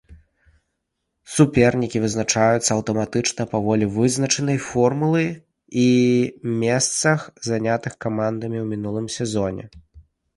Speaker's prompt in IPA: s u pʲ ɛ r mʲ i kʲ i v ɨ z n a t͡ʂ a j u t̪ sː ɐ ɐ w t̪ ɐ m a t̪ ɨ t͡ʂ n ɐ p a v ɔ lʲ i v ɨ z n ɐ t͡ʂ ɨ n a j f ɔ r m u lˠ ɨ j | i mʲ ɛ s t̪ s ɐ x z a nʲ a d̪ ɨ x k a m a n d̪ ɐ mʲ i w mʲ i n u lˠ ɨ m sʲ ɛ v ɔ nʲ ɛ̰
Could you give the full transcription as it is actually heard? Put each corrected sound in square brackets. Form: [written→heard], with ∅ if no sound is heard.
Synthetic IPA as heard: s u pʲ ɛ r [mʲ→nʲ] i kʲ i v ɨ z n a t͡ʂ a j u t̪ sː ɐ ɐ w t̪ ɐ m a t̪ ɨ t͡ʂ n ɐ p a v ɔ lʲ i v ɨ z n ɐ t͡ʂ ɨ n [a→ɐ] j f ɔ r m u lˠ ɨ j | i mʲ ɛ s t̪ s ɐ x z a nʲ a [d̪→t̪] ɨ x k a m a n d̪ ɐ mʲ i w mʲ i n u lˠ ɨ m sʲ ɛ [v→z] ɔ nʲ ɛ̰